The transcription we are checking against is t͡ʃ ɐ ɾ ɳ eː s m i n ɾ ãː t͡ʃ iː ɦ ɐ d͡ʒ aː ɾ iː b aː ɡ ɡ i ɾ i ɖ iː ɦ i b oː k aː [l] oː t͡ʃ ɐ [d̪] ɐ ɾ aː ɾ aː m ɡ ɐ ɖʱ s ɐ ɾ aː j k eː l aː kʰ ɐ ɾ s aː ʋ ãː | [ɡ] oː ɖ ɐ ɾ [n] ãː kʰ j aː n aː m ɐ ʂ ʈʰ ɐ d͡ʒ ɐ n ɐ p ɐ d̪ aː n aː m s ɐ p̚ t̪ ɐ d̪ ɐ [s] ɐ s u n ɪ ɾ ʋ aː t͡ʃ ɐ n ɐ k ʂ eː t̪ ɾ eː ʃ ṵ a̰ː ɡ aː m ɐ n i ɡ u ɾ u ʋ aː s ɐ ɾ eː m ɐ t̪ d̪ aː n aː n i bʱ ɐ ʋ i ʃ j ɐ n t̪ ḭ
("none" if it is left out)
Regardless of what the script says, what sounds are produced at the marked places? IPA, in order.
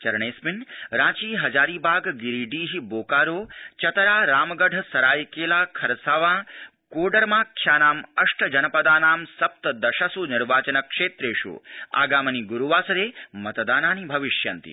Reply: ɾ, t̪, k, m, ʃ

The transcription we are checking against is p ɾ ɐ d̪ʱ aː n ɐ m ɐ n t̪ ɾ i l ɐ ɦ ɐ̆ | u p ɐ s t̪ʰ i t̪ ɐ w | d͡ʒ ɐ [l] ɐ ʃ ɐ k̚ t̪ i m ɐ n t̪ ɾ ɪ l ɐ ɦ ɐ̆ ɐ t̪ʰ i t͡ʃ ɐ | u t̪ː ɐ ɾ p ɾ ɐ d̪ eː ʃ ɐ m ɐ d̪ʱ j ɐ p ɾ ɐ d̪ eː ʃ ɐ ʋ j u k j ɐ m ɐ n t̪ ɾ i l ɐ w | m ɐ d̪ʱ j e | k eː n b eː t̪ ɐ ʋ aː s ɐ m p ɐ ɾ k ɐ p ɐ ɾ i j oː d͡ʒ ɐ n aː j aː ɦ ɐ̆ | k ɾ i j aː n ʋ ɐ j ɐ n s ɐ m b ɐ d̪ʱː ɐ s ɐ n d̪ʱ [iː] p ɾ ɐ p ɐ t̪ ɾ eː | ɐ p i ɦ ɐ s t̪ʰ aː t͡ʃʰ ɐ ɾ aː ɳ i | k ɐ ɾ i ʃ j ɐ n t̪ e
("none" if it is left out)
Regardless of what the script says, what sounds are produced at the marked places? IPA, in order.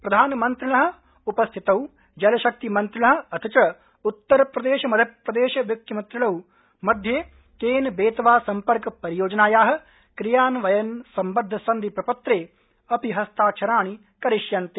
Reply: l, i

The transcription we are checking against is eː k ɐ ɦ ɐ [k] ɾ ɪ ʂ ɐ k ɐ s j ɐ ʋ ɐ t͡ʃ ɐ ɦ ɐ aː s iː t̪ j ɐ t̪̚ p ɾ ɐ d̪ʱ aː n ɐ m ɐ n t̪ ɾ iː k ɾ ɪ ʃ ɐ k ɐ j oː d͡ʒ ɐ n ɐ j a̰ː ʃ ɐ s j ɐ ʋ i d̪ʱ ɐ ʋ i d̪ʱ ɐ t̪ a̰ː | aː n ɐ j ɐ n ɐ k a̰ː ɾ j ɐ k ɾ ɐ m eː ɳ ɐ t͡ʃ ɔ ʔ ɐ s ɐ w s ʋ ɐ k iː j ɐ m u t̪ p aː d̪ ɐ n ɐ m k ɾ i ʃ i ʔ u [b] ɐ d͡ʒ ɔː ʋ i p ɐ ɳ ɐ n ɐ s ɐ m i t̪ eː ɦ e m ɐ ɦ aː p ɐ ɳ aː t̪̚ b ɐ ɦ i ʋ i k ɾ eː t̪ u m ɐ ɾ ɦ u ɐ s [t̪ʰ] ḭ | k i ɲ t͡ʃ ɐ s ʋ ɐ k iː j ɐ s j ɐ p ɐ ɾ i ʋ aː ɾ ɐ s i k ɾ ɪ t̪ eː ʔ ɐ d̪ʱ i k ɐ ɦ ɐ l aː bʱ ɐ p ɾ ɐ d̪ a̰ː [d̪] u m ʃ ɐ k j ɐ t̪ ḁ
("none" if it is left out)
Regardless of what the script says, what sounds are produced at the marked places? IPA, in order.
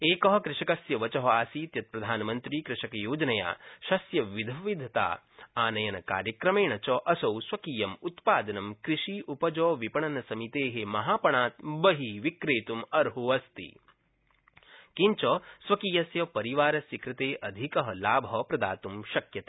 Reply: k, p, t̪, t̪

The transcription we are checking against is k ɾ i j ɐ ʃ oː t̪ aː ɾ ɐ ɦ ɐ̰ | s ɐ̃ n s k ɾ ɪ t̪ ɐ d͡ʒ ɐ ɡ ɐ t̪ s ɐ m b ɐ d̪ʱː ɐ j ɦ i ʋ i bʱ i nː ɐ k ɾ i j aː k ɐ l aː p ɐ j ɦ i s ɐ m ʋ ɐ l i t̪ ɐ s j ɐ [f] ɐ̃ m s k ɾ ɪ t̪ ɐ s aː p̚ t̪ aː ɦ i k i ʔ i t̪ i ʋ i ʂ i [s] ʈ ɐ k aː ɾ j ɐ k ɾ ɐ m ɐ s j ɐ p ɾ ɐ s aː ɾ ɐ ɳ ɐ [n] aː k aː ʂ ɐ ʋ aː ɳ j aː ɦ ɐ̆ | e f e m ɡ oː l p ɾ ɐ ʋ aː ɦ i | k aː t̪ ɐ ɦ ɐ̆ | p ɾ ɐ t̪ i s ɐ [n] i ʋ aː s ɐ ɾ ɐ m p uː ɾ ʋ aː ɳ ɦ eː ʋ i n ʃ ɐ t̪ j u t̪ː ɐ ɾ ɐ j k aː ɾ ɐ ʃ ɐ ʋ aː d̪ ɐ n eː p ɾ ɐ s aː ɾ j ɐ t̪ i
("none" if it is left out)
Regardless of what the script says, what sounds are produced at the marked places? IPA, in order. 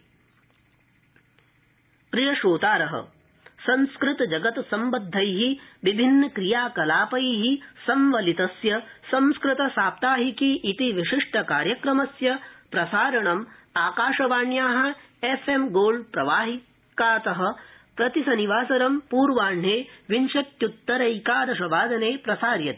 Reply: s, ʂ, m, n

